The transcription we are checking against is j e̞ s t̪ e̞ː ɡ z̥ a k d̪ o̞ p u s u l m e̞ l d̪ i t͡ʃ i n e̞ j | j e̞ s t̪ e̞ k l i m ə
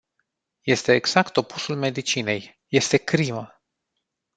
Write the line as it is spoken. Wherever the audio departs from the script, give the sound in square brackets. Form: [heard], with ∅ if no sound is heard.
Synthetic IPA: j e̞ s t̪ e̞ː ɡ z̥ a k [t̪] o̞ p u s u l m e̞ [∅] d̪ i t͡ʃ i n e̞ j | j e̞ s t̪ e̞ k [ɾ] i m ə